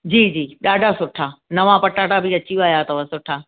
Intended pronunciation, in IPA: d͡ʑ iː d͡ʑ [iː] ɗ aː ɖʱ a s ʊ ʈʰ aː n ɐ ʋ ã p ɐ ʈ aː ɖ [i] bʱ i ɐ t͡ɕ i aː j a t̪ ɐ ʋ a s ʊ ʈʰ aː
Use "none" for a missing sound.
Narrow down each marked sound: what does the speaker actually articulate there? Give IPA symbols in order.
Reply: iː, a

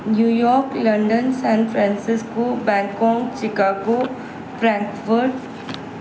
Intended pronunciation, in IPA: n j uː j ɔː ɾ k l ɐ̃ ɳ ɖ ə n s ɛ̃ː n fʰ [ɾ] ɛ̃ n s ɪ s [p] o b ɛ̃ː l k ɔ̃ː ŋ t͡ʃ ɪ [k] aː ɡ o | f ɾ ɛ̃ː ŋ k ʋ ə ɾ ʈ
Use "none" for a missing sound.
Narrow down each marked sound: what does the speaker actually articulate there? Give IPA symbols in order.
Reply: ɾ, k, k

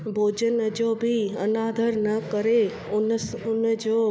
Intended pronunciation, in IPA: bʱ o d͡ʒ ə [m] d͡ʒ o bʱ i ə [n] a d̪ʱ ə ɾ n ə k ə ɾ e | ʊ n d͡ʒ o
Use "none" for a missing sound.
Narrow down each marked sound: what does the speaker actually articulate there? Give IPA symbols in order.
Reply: n, n

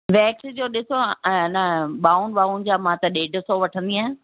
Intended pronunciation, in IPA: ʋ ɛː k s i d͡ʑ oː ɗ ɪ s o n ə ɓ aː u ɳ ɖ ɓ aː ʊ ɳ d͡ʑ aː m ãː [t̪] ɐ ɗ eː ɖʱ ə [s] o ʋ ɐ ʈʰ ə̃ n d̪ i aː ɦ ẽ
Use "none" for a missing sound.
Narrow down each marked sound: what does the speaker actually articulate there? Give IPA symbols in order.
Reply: t̪, s

